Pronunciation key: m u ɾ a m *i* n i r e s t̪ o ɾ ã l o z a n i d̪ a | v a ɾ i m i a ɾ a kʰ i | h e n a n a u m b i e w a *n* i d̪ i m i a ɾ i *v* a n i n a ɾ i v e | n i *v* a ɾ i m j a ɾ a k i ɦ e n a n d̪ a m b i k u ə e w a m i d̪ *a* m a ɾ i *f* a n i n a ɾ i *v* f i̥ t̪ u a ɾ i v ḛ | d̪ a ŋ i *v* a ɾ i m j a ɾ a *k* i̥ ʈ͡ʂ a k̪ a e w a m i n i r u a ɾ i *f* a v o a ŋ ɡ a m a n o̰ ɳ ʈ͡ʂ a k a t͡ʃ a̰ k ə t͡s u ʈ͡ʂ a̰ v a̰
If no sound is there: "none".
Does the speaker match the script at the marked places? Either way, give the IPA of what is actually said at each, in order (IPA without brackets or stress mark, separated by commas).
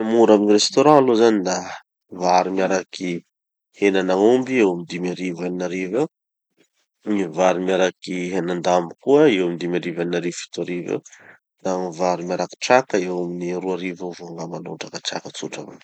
i, m, v, v, i, v, v, v, k, v